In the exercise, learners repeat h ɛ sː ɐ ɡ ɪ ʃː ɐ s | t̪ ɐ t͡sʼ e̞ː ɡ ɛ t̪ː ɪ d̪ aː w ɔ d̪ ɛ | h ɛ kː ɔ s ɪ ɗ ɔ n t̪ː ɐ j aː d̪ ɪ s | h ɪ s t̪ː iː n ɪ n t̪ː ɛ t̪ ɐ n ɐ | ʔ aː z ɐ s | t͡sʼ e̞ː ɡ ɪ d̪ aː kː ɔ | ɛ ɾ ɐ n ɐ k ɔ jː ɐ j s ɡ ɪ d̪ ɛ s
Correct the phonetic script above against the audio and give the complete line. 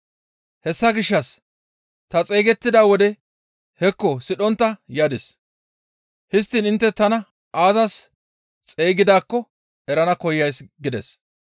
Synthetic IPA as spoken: h ɛ sː ɐ ɡ ɪ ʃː ɐ s | t̪ ɐ t͡sʼ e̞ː ɡ ɛ t̪ː ɪ d̪ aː w ɔ d̪ ɛ | h ɛ kː ɔ s ɪ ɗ ɔ n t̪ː ɐ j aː d̪ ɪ s | h ɪ s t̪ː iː n ɪ n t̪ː ɛ t̪ ɐ n ɐ | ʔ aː z ɐ s | t͡sʼ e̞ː ɡ ɪ d̪ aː kː ɔ | ɛ ɾ ɐ n ɐ k ɔ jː ɐ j s ɡ ɪ d̪ ɛ s